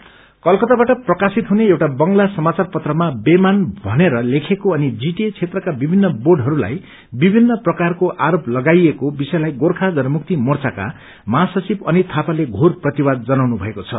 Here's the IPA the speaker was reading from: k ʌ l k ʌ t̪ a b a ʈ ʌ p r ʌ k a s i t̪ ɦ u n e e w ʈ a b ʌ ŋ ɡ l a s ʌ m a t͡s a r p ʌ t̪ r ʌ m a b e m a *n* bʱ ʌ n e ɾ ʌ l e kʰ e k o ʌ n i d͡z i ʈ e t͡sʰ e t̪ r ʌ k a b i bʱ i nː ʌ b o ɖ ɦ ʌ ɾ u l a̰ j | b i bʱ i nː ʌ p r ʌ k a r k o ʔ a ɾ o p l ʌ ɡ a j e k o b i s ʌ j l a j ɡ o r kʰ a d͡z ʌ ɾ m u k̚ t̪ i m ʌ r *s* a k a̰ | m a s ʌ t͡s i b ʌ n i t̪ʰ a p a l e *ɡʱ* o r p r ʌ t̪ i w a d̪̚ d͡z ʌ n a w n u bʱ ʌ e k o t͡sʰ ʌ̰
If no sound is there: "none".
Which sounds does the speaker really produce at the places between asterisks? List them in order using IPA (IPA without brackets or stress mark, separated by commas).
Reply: n, t͡s, ɡʱ